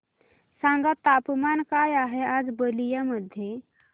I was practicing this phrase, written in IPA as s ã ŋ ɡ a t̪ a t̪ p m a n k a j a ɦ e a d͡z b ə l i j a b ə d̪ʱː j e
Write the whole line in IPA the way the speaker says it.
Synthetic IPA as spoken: s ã ŋ ɡ a t̪ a p m a n k a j a ɦ e a d͡z b ə l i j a m ə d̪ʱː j e